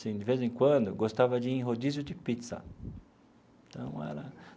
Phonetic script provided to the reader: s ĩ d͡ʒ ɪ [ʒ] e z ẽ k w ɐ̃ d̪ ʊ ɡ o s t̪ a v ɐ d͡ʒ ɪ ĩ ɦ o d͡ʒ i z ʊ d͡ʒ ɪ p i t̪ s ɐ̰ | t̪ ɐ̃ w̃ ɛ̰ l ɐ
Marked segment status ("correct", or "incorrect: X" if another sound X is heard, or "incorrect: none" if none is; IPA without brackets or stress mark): incorrect: v